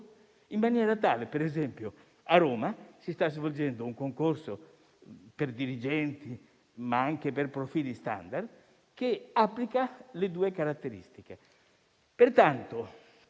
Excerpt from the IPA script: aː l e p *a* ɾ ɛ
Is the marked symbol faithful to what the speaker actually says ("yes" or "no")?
no